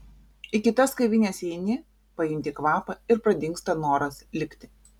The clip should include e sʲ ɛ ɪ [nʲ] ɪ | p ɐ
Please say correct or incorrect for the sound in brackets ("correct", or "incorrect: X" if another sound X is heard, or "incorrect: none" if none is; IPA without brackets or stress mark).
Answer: correct